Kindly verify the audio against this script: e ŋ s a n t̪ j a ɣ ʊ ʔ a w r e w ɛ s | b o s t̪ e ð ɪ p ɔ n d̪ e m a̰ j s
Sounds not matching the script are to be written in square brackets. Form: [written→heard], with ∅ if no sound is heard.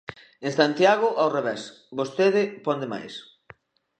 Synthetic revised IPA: e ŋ s a n t̪ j a ɣ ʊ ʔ a w r e [w→β] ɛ s | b o s t̪ e ð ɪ p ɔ n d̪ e m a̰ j s